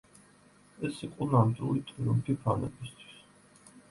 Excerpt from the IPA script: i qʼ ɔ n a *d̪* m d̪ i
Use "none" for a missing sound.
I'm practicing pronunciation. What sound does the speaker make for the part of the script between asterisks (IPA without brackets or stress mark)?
none